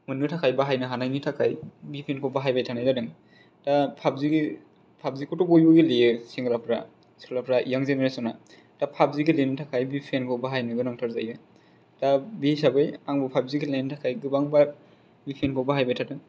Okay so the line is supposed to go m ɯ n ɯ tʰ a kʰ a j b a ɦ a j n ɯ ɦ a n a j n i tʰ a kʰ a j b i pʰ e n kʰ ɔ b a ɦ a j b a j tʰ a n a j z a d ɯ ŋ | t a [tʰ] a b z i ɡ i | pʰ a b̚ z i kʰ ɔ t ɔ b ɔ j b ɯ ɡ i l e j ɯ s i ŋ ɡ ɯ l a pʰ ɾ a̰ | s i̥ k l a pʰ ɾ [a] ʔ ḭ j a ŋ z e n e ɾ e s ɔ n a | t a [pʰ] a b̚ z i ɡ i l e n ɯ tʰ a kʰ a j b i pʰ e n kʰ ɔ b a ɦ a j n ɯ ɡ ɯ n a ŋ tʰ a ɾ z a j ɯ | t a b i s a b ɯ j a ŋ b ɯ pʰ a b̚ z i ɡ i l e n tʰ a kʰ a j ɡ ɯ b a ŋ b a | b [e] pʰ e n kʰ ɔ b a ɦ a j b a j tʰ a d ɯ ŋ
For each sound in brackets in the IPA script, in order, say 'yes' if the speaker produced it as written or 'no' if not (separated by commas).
no, yes, yes, no